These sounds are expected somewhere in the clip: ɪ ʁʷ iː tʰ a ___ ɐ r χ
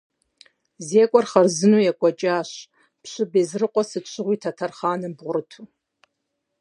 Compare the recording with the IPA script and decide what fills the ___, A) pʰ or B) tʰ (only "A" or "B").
B